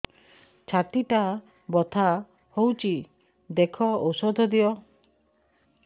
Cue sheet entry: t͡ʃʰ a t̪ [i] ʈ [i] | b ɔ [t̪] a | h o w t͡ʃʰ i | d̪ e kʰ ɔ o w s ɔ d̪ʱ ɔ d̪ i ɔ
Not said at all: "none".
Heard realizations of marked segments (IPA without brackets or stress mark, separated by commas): i, a, t̪ʰ